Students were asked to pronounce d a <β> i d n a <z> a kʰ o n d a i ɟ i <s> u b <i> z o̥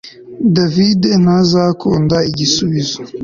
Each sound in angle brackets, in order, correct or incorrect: incorrect: v, correct, correct, correct

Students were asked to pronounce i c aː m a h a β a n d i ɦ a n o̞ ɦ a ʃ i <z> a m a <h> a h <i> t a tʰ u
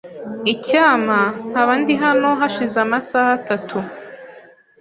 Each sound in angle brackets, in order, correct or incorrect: correct, incorrect: s, incorrect: a

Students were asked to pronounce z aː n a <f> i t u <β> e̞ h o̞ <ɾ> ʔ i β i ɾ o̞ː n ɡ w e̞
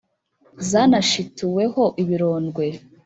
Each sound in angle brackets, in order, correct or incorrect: incorrect: ʃ, incorrect: w, incorrect: none

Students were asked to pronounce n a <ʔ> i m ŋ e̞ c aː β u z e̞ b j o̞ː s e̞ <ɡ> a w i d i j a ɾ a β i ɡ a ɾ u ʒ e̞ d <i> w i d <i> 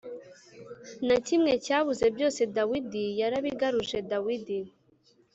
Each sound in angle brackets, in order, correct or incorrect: incorrect: c, incorrect: d, incorrect: a, correct

